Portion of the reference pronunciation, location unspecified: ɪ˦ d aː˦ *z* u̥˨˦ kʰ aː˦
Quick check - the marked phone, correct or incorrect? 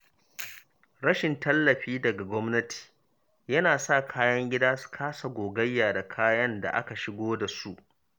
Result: incorrect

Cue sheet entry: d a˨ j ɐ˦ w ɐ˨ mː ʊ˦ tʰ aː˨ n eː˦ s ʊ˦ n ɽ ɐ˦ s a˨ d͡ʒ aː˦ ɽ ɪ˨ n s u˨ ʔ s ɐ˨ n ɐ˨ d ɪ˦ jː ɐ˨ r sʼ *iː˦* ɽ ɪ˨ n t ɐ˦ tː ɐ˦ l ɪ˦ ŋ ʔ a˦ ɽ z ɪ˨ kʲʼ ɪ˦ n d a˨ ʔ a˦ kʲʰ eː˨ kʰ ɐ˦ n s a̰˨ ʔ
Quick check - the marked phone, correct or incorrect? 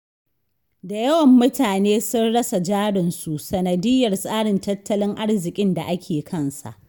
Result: incorrect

